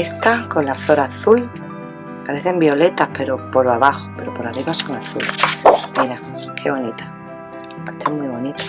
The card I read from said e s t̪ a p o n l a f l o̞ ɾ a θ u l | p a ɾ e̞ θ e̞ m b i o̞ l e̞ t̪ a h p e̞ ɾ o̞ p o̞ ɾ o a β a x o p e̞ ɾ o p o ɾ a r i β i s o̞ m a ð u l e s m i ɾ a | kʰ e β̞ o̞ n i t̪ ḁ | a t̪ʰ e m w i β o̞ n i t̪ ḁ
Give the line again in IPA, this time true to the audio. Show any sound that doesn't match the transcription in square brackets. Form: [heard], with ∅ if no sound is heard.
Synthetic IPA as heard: e s t̪ a [k] o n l a f l o̞ ɾ a θ u l | p a ɾ e̞ θ e̞ m b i o̞ l e̞ t̪ a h p e̞ ɾ o̞ p o̞ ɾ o a β a x o p e̞ ɾ o p o ɾ a r i β [a] s o̞ [ŋ] a [θ] u l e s m i ɾ a | kʰ e β̞ o̞ n i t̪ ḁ | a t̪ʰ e m w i β o̞ n i t̪ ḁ